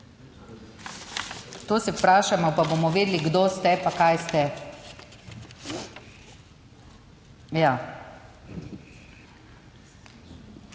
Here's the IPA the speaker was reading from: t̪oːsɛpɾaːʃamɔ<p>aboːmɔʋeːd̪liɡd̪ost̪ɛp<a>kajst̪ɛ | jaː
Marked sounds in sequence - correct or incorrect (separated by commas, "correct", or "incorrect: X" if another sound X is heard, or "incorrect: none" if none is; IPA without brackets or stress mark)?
correct, correct